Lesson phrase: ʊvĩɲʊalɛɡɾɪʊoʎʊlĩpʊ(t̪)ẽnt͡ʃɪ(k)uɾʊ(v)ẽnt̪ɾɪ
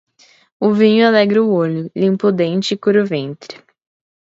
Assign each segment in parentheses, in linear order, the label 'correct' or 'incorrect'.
incorrect: d̪, correct, correct

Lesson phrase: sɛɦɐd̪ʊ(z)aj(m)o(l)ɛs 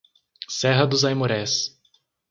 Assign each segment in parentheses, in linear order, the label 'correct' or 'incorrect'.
correct, correct, incorrect: ɾ

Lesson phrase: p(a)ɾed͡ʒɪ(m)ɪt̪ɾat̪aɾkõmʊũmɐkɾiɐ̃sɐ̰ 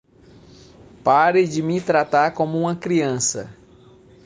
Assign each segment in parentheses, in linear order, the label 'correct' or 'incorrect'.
correct, correct

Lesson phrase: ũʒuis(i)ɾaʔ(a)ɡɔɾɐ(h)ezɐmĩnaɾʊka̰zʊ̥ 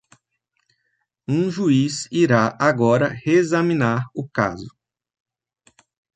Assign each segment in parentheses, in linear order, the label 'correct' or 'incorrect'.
correct, correct, correct

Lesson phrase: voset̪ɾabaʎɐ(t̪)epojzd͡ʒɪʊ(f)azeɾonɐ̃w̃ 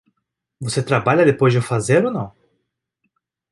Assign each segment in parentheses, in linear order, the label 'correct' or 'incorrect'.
incorrect: d̪, correct

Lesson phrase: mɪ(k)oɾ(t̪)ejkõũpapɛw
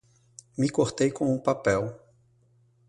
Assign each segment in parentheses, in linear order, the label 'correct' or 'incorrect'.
correct, correct

